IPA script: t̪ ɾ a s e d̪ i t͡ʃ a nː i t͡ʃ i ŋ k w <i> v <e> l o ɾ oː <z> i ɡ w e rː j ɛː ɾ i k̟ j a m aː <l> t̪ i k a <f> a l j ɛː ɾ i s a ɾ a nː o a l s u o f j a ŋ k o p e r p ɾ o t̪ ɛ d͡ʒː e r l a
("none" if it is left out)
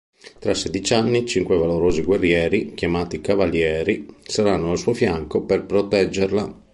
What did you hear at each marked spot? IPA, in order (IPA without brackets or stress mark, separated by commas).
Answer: e, a, z, none, v